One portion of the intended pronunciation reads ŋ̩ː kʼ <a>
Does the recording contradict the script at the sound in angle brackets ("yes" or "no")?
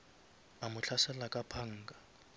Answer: no